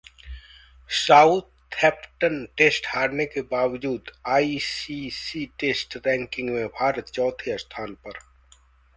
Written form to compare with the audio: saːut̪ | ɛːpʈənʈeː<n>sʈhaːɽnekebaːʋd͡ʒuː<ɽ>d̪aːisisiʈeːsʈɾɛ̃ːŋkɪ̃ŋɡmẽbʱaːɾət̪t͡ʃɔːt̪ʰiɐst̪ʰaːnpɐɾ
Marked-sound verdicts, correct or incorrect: incorrect, incorrect

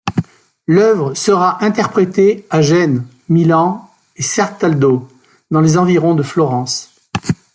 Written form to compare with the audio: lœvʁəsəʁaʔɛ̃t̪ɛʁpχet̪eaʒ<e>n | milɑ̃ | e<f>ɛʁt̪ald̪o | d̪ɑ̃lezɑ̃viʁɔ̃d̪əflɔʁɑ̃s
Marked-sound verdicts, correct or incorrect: incorrect, incorrect

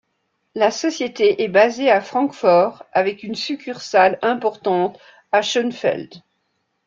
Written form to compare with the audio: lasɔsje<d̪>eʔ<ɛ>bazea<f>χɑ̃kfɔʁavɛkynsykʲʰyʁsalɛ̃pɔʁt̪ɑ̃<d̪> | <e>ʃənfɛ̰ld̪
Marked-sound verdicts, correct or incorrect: incorrect, correct, correct, incorrect, incorrect

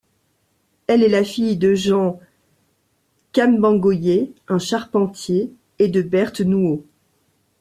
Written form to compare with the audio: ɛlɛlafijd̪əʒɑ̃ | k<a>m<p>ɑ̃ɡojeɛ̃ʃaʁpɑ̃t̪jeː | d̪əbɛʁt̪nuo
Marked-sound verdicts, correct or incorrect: correct, incorrect

